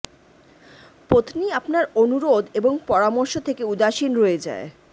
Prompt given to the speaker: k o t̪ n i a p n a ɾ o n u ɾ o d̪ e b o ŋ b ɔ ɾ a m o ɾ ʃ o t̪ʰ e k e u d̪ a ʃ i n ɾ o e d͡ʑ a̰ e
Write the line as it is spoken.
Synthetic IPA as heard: p o t̪ n i a p n a ɾ o n u ɾ o d̪ e b o ŋ p ɔ ɾ a m o ɾ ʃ o t̪ʰ e k e u d̪ a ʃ i n ɾ o e d͡ʑ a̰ e